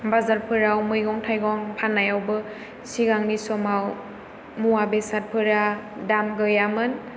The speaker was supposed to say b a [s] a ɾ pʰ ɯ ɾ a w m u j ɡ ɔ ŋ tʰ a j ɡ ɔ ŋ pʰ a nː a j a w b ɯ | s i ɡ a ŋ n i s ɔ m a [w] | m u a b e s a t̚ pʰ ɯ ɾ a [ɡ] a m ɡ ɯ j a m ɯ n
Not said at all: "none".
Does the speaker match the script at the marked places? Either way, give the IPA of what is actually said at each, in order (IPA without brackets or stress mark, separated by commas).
z, w, d